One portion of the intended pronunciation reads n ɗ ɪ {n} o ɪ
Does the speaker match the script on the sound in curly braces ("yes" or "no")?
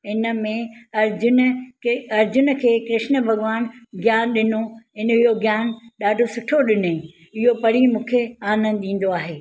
yes